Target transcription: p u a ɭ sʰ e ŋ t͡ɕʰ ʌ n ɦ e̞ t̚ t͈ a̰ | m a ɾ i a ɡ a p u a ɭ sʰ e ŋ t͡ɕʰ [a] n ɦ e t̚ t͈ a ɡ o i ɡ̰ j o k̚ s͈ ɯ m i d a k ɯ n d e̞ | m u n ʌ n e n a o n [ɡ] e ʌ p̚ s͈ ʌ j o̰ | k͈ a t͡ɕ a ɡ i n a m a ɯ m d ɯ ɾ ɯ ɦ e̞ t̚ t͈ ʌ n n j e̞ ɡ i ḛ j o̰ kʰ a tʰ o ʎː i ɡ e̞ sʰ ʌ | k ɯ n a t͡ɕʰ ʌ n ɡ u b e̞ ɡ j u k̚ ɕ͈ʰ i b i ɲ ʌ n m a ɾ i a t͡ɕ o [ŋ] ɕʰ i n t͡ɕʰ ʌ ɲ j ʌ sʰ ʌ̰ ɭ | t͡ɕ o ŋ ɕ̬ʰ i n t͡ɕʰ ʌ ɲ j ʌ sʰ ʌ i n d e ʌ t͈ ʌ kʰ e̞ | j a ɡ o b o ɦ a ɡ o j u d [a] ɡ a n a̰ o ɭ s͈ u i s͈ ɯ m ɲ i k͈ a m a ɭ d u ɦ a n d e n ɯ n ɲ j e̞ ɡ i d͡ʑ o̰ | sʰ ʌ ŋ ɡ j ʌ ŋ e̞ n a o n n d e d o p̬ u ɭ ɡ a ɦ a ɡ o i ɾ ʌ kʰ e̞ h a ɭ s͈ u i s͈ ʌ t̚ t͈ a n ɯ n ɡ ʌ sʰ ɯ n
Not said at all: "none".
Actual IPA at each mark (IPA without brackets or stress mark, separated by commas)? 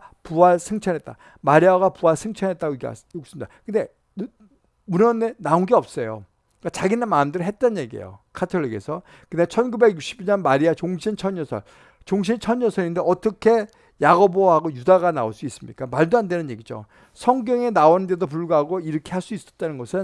ʌ, ɡ, ŋ, a